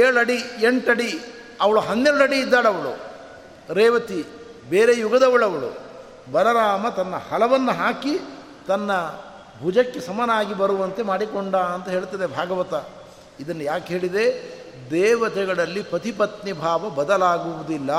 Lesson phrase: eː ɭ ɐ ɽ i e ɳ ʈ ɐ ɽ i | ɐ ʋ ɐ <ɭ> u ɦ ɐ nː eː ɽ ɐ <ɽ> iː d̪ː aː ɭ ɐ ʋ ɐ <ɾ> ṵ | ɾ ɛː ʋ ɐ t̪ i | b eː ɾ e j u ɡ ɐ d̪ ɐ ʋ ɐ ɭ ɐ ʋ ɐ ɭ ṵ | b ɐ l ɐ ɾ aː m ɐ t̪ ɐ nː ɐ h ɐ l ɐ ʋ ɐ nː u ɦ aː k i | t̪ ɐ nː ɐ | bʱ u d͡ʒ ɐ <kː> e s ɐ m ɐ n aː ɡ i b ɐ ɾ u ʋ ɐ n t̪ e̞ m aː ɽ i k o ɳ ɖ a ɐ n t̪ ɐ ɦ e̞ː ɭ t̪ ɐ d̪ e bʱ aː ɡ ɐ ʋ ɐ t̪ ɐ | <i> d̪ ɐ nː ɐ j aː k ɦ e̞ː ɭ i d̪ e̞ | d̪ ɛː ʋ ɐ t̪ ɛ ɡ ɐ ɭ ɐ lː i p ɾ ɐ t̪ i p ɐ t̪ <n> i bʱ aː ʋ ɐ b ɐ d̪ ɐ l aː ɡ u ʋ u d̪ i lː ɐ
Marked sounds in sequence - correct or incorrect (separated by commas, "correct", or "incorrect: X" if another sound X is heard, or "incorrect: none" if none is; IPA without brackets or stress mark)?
correct, correct, incorrect: ɭ, correct, correct, correct